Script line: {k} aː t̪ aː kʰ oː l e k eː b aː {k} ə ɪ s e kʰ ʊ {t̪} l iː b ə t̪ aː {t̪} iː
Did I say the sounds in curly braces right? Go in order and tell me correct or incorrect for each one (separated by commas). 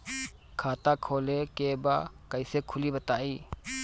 incorrect, correct, incorrect, incorrect